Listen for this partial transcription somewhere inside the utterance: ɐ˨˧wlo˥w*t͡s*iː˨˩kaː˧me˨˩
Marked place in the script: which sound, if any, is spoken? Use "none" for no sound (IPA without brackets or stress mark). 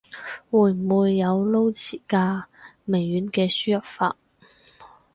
t͡sʰ